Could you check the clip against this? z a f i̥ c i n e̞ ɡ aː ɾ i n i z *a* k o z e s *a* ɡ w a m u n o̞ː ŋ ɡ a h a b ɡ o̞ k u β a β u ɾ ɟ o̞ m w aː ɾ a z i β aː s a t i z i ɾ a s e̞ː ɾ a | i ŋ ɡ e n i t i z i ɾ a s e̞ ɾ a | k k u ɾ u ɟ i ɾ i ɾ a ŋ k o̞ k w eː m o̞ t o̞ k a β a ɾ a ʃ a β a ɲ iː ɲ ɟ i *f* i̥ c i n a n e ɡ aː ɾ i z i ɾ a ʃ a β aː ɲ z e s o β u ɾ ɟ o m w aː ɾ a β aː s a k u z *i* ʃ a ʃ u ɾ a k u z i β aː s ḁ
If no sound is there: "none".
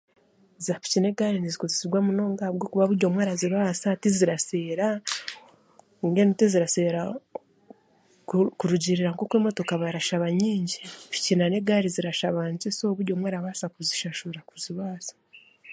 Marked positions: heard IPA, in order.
i, i, f, i

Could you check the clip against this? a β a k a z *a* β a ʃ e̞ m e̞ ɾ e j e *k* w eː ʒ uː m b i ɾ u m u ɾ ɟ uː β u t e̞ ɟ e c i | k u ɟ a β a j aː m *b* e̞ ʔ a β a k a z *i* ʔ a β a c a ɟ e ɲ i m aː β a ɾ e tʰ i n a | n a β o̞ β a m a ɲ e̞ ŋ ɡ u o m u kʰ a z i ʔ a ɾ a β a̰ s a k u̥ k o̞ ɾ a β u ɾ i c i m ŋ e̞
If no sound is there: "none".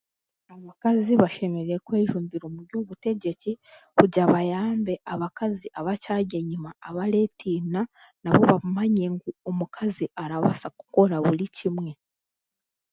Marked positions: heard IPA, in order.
i, k, b, i

